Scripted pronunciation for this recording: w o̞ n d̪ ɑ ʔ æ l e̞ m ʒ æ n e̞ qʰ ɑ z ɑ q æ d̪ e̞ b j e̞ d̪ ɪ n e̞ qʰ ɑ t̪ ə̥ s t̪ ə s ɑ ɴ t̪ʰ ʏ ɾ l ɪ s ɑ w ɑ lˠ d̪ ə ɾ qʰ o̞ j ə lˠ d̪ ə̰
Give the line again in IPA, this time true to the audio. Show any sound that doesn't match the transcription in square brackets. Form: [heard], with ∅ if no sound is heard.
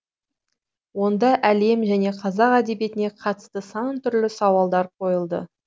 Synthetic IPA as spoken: w o̞ n d̪ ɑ ʔ æ l e̞ m ʒ æ n e̞ qʰ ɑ z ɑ q æ d̪ e̞ b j e̞ [t̪] ɪ n e̞ qʰ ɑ t̪ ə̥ s t̪ ə s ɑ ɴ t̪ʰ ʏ ɾ l ɪ s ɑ w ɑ lˠ d̪ [ɑ] ɾ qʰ o̞ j ə lˠ d̪ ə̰

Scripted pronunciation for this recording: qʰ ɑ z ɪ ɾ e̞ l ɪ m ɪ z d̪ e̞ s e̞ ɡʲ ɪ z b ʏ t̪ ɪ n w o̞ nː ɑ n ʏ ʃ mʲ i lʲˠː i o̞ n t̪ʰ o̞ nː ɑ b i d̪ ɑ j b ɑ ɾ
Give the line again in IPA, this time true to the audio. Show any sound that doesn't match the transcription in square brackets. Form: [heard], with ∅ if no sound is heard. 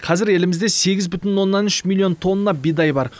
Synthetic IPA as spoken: qʰ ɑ z ɪ ɾ e̞ l ɪ m ɪ z d̪ e̞ s e̞ ɡʲ ɪ z b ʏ t̪ ɪ n w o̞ nː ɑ n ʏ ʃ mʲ i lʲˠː i o̞ n t̪ʰ o̞ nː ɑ b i d̪ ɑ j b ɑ ɾ

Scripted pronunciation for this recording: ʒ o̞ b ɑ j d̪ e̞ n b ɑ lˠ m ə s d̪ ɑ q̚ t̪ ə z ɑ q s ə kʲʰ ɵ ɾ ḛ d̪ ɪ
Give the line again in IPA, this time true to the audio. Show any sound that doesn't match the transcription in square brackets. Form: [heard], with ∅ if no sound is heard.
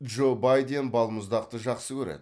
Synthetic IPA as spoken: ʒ o̞ b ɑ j d̪ e̞ n b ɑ lˠ m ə [z] d̪ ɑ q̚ t̪ ə [ʒ] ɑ q s ə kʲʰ ɵ ɾ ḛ d̪ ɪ

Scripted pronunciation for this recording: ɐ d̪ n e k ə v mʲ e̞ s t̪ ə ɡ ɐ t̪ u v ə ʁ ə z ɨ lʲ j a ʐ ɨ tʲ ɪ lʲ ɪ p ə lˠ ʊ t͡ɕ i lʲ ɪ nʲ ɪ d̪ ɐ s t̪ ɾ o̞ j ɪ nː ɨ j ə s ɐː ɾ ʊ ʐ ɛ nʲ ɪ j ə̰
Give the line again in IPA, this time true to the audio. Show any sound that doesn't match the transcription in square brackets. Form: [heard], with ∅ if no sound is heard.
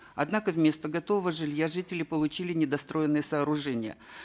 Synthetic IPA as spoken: ɐ d̪ n [a] k ə v mʲ e̞ s t̪ ə ɡ ɐ t̪ [o] v ə [v] ə [ʐ] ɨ lʲ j a ʐ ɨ tʲ ɪ lʲ ɪ p ə lˠ ʊ t͡ɕ i lʲ ɪ nʲ ɪ d̪ ɐ s t̪ ɾ o̞ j ɪ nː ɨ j ə s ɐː ɾ ʊ ʐ ɛ nʲ ɪ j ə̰

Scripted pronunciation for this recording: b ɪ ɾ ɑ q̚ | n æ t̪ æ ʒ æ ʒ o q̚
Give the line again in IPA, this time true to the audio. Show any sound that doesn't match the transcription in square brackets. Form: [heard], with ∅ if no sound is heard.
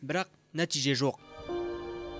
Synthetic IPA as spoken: b ɪ ɾ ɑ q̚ | n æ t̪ [i] ʒ [e] ʒ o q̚

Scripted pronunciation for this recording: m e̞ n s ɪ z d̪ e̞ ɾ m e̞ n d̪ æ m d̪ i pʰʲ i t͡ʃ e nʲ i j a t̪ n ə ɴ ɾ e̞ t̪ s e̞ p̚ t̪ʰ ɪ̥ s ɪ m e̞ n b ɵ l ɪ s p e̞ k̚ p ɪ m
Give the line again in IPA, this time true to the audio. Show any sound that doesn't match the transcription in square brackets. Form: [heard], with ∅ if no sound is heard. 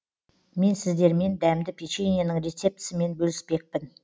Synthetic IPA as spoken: m e̞ n s ɪ z d̪ e̞ ɾ m e̞ n d̪ æ m d̪ [ɪ] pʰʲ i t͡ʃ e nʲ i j a [∅] n ə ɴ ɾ e̞ t̪ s e̞ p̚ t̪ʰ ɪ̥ s ɪ m e̞ n b ɵ l ɪ s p e̞ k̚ p ɪ [n]

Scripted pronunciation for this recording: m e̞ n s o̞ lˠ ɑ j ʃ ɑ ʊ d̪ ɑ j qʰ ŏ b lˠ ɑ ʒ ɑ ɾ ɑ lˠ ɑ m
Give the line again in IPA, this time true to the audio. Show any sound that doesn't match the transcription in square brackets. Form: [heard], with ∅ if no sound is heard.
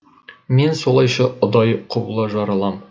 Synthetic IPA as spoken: m e̞ n s o̞ lˠ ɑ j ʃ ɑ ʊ d̪ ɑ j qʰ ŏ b lˠ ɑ ʒ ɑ ɾ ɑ lˠ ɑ m

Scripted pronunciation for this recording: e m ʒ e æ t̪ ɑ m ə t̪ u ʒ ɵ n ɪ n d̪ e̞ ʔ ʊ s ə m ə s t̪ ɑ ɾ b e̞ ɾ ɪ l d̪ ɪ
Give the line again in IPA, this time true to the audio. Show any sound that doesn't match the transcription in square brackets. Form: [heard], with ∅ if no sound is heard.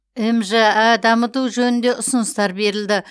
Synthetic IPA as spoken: e m ʒ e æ [d̪] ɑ m ə t̪ u ʒ ɵ n ɪ n d̪ e̞ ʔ ʊ s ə [n] ə s t̪ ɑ ɾ b e̞ ɾ ɪ l d̪ ɪ

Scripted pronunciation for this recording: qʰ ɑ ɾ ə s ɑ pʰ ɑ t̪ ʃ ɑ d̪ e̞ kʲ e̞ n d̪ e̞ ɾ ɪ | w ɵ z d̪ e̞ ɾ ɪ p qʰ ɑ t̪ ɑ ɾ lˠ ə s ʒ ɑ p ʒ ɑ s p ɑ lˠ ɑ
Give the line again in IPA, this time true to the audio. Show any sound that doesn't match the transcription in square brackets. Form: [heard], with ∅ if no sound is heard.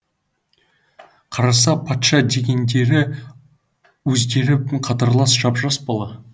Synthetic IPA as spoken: qʰ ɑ ɾ [ɑ] s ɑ pʰ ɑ t̪ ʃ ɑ d̪ e̞ [ɡʲ] e̞ n d̪ e̞ ɾ ɪ | w ɵ z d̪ e̞ ɾ ɪ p qʰ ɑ t̪ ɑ ɾ lˠ [ɑ] s ʒ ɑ p ʒ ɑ s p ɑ lˠ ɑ

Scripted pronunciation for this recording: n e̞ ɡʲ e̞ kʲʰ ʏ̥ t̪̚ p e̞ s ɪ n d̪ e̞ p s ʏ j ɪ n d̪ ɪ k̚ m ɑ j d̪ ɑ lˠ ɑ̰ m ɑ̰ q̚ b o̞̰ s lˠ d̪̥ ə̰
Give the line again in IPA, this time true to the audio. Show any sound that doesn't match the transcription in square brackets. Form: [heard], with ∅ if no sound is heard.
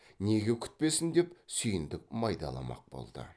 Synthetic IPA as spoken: n e̞ ɡʲ e̞ kʲʰ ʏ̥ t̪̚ p e̞ s ɪ n d̪ e̞ p s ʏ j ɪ n d̪ ɪ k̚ m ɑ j d̪ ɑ lˠ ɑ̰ m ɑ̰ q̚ b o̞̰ [∅] lˠ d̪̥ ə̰

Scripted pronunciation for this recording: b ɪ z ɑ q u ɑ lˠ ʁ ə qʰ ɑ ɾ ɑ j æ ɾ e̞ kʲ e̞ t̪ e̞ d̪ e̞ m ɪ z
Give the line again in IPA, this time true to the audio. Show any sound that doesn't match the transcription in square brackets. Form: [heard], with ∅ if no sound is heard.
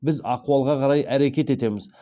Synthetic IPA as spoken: b ɪ z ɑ q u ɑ lˠ ʁ [ɑ] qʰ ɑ ɾ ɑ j æ ɾ e̞ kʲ e̞ t̪ e̞ [t̪] e̞ m ɪ z

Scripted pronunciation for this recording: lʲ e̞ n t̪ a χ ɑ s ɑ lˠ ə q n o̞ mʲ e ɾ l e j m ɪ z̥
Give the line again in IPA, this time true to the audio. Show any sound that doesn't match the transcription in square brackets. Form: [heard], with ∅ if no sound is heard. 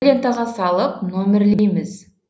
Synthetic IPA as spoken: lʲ e̞ n t̪ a [ʁ] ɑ s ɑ lˠ ə [p] n o̞ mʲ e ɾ l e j m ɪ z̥

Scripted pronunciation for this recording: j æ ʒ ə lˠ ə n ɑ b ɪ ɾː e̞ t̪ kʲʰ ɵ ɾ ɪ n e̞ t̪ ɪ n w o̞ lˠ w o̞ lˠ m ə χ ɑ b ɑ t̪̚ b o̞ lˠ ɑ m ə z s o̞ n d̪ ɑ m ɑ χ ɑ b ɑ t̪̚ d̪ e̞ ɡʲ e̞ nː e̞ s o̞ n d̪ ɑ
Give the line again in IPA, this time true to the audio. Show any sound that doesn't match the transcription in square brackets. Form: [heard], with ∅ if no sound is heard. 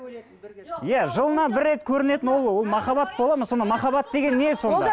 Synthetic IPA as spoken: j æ ʒ ə lˠ ə n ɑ b ɪ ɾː e̞ t̪ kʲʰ ɵ ɾ ɪ n e̞ t̪ ɪ n w o̞ lˠ w o̞ lˠ m [ɑ] χ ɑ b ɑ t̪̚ b o̞ lˠ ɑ m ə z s o̞ n d̪ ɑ m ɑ χ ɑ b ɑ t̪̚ d̪ e̞ ɡʲ e̞ nː e̞ s o̞ n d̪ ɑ

